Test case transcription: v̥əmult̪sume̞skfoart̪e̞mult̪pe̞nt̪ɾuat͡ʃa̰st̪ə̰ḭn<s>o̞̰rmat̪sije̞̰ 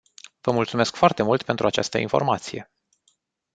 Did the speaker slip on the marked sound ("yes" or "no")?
yes